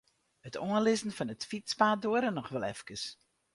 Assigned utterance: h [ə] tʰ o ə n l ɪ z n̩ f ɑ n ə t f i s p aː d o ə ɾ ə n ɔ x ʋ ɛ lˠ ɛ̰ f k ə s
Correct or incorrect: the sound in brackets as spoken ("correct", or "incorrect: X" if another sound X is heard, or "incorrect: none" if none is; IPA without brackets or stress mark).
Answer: correct